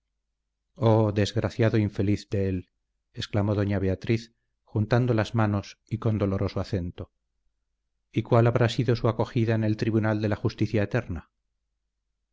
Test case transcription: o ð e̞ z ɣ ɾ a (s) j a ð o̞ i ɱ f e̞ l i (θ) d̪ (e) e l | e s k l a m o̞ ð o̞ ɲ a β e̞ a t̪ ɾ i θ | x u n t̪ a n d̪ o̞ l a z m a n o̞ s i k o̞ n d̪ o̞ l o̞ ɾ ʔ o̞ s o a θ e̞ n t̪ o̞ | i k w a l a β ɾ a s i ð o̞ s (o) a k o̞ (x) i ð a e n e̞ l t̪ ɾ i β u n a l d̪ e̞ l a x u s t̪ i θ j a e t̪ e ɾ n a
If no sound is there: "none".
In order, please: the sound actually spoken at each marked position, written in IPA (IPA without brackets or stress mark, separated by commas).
θ, θ, e, u, x